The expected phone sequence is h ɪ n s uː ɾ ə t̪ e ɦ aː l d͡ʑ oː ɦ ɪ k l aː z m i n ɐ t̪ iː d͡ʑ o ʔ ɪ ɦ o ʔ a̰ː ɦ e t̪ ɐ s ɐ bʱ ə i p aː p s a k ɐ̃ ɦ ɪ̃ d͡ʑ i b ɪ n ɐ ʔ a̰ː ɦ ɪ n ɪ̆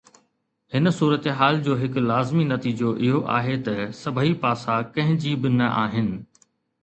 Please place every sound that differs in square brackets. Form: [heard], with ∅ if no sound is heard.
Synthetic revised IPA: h ɪ n s uː ɾ ə t̪ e ɦ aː l d͡ʑ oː ɦ ɪ k l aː z m i n ɐ t̪ iː d͡ʑ o ʔ ɪ ɦ o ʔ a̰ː ɦ e t̪ ɐ s ɐ bʱ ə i p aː [∅] s a k ɐ̃ ɦ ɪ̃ d͡ʑ i b ɪ n ɐ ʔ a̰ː ɦ ɪ n ɪ̆